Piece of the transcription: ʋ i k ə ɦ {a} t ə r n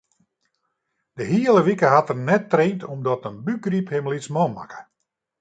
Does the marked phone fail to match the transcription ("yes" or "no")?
no